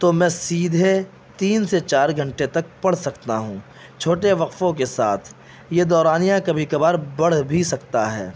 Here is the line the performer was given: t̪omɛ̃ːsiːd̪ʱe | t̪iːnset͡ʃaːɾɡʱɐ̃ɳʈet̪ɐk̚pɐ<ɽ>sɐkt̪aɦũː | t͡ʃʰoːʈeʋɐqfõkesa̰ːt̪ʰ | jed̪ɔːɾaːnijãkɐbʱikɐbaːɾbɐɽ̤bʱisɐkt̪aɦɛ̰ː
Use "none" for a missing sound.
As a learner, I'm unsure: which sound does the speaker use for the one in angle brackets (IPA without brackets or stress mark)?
ɽ